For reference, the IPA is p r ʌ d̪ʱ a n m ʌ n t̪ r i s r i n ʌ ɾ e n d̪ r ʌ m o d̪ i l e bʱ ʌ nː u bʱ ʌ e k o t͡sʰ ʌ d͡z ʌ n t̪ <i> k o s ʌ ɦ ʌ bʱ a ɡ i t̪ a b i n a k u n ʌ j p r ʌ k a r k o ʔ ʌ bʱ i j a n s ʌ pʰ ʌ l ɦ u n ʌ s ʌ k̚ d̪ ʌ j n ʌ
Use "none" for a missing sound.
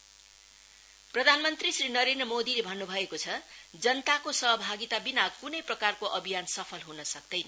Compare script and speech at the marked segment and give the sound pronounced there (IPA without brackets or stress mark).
a